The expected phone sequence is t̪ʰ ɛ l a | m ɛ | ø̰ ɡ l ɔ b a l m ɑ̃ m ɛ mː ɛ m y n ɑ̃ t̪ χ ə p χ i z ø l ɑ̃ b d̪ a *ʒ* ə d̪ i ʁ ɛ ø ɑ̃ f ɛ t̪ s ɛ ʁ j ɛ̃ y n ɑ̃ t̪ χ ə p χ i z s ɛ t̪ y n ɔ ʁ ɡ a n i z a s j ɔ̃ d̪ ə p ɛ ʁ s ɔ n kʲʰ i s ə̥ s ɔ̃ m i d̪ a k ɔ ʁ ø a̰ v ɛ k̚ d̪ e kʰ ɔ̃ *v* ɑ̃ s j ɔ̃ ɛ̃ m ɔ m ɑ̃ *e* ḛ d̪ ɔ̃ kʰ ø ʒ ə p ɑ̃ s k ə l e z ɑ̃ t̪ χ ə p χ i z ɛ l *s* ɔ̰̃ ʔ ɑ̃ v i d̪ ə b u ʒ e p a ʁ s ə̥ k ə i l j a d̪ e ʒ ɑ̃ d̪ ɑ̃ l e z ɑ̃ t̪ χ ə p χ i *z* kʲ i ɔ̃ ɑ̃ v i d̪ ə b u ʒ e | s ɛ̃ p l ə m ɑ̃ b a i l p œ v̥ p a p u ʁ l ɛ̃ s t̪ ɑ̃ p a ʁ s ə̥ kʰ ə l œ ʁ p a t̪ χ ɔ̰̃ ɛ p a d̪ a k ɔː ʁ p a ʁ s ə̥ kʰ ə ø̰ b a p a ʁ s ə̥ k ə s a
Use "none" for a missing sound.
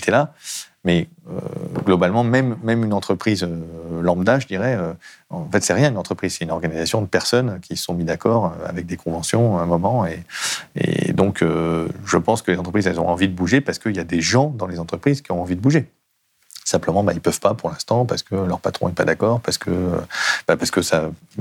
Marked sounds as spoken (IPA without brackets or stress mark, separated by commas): ʒ, v, e, z, z